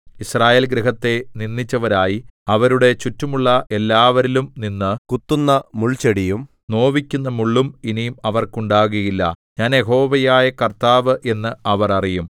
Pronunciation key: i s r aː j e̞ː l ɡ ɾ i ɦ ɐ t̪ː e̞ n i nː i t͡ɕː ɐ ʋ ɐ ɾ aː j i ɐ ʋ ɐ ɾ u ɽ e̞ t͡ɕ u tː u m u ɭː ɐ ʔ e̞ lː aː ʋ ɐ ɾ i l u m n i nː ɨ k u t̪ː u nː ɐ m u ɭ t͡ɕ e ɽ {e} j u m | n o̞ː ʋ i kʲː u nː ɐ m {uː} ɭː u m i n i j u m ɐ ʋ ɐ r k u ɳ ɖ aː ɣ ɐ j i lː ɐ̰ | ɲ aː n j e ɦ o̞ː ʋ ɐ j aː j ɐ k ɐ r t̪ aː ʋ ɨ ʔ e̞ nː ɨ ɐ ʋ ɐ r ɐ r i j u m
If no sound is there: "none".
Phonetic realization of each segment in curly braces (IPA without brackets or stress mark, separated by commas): i, u